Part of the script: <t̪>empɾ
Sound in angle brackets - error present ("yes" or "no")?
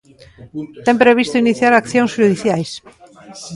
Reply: no